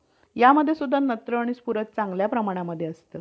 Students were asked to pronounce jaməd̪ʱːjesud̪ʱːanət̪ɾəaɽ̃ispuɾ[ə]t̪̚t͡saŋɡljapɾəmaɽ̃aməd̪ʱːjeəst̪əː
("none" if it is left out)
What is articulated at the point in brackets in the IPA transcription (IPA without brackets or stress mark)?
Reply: ə